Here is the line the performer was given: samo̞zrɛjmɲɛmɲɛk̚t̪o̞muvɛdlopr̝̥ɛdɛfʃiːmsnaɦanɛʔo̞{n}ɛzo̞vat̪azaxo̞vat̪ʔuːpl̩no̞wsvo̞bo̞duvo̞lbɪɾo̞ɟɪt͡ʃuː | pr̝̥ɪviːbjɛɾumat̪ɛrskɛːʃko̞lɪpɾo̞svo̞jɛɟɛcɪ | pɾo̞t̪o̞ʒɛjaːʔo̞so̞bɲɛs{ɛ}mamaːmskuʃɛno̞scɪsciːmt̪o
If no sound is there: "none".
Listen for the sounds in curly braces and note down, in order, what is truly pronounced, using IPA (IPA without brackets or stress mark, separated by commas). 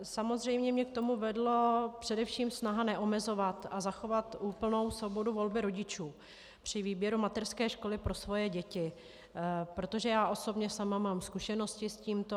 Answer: m, a